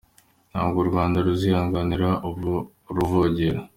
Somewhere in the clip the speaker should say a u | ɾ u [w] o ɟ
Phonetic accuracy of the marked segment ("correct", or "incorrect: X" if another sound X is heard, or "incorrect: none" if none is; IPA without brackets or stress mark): incorrect: v